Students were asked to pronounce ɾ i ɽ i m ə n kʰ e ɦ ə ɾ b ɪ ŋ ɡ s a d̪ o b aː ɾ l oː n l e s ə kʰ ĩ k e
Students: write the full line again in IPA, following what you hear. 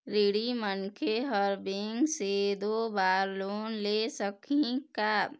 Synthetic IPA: ɾ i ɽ i m ə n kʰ e ɦ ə ɾ b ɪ ŋ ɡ s e d̪ o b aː ɾ l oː n l e s ə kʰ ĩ k a